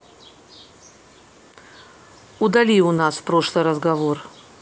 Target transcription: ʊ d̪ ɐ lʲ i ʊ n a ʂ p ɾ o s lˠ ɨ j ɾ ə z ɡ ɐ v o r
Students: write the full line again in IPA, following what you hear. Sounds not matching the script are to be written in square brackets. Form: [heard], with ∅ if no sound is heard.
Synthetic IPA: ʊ d̪ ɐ lʲ i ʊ n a [s] p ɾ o [ʂ] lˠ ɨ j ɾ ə z ɡ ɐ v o r

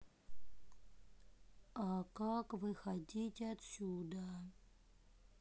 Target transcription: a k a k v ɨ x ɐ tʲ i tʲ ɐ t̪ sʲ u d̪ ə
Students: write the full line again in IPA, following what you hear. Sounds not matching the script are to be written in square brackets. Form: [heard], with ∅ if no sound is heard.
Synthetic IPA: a k a k v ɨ x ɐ [dʲ] i tʲ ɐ t̪ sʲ u d̪ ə

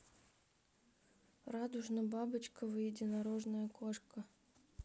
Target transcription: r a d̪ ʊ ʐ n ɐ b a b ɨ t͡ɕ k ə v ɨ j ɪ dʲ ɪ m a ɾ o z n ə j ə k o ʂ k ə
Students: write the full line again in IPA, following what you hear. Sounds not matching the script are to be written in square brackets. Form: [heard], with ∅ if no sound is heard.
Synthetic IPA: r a d̪ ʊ ʐ n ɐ b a b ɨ t͡ɕ k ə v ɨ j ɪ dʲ ɪ [n] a ɾ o [ʐ] n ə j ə k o ʂ k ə

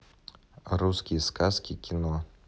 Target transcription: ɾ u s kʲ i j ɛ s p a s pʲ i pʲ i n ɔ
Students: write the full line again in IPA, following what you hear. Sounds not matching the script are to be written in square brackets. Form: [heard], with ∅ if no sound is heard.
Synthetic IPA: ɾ u s kʲ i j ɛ s [k] a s [kʲ] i [kʲ] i n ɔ

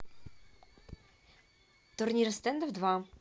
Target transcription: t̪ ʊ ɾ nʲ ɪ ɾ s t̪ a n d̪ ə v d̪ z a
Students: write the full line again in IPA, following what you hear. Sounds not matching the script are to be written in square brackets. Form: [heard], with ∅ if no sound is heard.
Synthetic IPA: t̪ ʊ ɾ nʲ [i] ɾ s t̪ [ɛ] n d̪ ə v d̪ [v] a

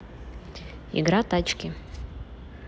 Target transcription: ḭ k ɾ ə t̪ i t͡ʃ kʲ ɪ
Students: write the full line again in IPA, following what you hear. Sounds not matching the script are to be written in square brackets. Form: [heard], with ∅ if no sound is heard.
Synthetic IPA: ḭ [ɡ] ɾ [a] t̪ [a] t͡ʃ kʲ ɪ

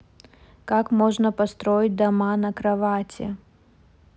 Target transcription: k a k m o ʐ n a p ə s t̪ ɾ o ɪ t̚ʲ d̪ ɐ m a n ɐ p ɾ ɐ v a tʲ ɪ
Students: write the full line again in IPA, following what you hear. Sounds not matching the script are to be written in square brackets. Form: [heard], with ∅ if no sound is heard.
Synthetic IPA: k a k m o ʐ n [ə] p [ɐ] s t̪ ɾ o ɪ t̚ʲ d̪ ɐ m a n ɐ [k] ɾ ɐ v a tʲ ɪ

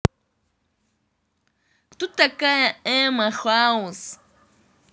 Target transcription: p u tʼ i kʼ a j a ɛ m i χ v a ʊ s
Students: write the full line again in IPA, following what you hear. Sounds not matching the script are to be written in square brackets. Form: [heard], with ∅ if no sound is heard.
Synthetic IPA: [t] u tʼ [a] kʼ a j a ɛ m [a] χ [w] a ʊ s

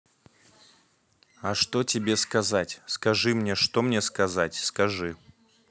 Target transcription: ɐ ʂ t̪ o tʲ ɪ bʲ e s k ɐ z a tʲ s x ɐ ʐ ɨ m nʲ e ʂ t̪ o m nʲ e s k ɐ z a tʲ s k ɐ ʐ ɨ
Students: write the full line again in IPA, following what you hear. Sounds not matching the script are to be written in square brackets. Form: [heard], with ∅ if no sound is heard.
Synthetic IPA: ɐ ʂ t̪ o tʲ ɪ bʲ e s k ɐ z a tʲ s [k] ɐ ʐ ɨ m nʲ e ʂ t̪ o m nʲ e s k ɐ z a tʲ s k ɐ ʐ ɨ

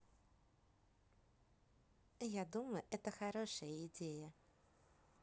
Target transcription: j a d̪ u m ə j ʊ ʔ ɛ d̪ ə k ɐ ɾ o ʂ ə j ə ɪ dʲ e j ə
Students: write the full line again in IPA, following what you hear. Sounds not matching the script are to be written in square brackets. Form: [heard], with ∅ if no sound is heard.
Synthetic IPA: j a d̪ u m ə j ʊ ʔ ɛ [t̪] ə [x] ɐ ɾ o ʂ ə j ə ɪ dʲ e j ə

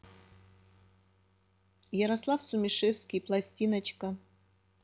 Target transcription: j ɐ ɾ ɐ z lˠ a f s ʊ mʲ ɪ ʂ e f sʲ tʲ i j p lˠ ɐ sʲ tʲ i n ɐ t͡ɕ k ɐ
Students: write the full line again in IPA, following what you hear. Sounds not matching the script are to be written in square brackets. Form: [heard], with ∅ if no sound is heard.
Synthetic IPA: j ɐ ɾ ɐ [s] lˠ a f s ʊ mʲ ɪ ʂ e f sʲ [kʲ] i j p lˠ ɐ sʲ tʲ i n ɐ t͡ɕ k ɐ

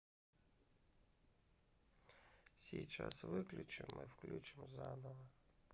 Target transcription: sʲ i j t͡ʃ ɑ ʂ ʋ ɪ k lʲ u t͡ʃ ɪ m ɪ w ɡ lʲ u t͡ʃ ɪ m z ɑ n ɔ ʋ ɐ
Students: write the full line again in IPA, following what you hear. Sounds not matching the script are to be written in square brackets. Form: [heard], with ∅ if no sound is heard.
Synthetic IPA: sʲ i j t͡ʃ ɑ [s] ʋ ɪ k lʲ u t͡ʃ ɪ m ɪ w [k] lʲ u t͡ʃ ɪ m z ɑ n ɔ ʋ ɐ

